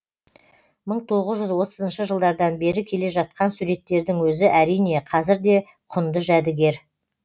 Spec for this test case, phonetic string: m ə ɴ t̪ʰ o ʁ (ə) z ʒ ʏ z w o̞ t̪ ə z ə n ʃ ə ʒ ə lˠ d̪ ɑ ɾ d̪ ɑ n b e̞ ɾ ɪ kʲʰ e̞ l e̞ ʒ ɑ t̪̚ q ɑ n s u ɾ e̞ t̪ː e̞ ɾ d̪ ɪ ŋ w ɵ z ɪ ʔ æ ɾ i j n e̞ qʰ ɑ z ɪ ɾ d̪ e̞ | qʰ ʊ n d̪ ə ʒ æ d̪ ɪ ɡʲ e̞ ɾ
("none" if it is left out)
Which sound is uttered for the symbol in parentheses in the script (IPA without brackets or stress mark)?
ə